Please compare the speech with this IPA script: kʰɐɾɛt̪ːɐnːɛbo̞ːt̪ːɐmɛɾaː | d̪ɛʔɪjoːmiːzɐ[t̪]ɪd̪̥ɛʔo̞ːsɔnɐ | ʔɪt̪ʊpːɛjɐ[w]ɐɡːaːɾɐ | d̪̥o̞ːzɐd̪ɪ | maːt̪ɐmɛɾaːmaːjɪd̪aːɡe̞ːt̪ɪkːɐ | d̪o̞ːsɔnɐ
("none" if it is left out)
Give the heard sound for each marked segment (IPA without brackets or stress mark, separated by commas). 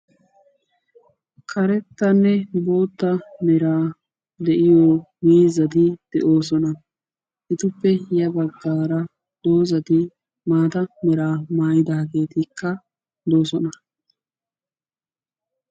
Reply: d̪, b